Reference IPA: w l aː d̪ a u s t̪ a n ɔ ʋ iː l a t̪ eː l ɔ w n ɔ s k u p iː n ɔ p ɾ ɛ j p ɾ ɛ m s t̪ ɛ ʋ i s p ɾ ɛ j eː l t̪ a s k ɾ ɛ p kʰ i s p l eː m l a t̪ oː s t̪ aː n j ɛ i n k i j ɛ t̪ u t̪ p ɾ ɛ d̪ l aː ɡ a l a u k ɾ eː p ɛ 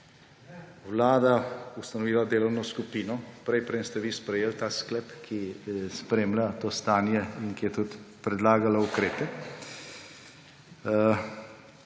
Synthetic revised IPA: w l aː d̪ a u s t̪ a n ɔ ʋ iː l a d̪ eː l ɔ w n ɔ s k u p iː n ɔ p ɾ ɛ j p ɾ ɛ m s t̪ ɛ ʋ i s p ɾ ɛ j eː l t̪ a s k l ɛ p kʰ i s p ɾ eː m l a t̪ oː s t̪ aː n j ɛ i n k i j ɛ t̪ u t̪ p ɾ ɛ d̪ l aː ɡ a l a u k ɾ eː p ɛ